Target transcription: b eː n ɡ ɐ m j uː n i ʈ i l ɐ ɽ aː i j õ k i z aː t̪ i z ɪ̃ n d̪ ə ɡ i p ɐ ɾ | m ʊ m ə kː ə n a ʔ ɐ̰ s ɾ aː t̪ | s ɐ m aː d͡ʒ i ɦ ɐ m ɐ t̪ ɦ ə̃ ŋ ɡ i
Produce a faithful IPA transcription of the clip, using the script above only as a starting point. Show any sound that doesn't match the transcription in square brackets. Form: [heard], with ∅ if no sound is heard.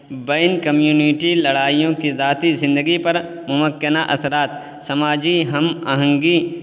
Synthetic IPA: b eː n [k] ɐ m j uː n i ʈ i l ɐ ɽ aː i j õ k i z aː t̪ i z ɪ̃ n d̪ ə ɡ i p ɐ ɾ | m ʊ m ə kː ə n a ʔ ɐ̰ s ɾ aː t̪ | s ɐ m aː d͡ʒ i ɦ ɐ m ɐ [∅] ɦ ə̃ ŋ ɡ i